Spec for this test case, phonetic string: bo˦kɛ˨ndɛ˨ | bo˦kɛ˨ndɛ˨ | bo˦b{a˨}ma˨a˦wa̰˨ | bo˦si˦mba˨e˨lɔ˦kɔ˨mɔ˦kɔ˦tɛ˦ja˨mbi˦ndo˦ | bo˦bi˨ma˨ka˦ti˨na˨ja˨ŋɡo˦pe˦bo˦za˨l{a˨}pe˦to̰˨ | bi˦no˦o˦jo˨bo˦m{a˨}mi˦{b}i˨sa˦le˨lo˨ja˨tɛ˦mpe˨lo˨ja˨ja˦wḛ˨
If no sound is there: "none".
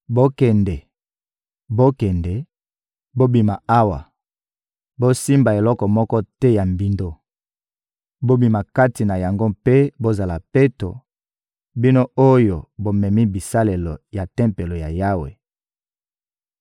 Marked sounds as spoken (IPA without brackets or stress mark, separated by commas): i˨, a˨, ɛ˨, b